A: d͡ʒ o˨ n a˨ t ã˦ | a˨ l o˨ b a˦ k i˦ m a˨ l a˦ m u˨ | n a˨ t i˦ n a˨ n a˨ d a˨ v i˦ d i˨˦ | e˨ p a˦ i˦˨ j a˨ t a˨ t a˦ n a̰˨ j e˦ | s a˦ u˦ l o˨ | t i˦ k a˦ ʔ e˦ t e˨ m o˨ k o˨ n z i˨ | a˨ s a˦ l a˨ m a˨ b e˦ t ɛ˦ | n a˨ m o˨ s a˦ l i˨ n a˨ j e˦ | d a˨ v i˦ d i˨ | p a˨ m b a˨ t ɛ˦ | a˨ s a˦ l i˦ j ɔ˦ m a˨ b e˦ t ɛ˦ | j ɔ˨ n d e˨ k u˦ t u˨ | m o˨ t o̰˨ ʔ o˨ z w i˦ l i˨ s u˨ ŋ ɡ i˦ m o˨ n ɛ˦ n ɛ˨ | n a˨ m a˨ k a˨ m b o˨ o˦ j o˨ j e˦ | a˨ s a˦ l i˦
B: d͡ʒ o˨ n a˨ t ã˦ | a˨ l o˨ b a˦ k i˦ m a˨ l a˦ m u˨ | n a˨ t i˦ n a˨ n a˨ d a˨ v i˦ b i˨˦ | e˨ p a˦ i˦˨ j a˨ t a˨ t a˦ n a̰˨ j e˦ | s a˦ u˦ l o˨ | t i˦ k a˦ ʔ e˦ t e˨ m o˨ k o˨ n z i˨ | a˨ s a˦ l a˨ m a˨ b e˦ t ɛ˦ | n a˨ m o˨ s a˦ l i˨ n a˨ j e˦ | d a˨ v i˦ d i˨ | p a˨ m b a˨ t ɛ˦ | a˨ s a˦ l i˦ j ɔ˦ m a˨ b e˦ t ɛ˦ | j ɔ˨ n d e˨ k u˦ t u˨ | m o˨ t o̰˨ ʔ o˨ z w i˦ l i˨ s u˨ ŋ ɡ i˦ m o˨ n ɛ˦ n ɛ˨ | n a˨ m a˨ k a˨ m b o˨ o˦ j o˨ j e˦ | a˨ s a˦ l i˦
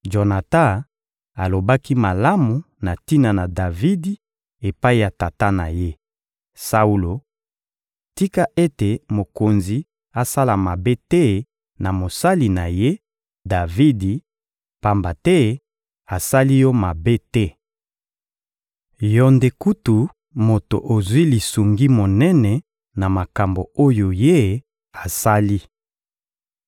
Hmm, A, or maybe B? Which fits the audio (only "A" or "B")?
A